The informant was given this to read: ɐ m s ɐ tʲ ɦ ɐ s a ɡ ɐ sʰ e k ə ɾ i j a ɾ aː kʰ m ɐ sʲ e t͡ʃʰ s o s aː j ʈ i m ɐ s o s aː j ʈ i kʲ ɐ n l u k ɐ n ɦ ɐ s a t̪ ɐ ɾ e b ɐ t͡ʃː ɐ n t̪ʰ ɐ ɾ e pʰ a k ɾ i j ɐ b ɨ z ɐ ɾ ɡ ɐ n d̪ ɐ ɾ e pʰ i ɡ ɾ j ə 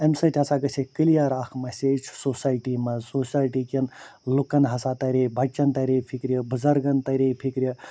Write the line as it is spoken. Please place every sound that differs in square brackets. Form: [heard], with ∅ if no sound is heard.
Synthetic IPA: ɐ m s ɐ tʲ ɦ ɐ s a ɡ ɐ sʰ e k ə [l] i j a ɾ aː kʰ m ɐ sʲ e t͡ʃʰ s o s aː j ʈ i m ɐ s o s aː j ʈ i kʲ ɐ n l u k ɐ n ɦ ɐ s a t̪ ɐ ɾ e b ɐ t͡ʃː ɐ n [t̪] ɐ ɾ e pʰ [i] k ɾ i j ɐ b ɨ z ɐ ɾ ɡ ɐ n [t̪] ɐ ɾ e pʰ i [k] ɾ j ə